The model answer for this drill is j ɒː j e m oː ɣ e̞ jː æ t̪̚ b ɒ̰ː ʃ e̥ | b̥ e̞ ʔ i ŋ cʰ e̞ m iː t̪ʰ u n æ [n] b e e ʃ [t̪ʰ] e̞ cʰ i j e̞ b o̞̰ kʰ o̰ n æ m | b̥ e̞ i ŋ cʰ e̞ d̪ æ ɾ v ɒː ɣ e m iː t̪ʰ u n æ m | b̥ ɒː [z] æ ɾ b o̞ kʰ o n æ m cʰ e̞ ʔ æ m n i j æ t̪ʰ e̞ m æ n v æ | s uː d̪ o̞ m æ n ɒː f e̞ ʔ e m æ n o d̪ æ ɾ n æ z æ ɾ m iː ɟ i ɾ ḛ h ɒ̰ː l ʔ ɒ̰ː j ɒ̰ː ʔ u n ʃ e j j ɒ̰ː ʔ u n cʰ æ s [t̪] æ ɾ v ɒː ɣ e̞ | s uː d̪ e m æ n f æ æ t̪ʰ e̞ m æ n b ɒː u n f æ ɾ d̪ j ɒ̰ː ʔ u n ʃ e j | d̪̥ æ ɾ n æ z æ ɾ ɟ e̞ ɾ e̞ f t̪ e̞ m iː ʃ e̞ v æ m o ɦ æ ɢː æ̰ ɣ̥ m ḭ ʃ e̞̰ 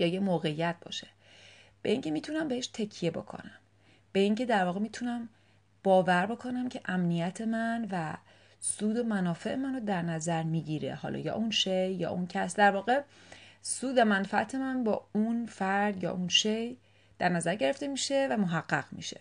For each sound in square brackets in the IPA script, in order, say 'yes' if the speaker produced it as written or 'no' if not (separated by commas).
no, yes, no, no